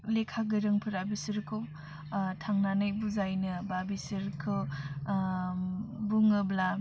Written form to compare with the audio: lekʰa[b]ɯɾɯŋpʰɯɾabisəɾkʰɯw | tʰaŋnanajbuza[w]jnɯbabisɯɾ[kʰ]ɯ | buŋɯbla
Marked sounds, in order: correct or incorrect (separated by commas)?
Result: incorrect, incorrect, correct